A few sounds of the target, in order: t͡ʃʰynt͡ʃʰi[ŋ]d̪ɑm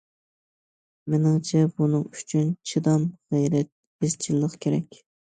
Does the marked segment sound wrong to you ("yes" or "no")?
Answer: yes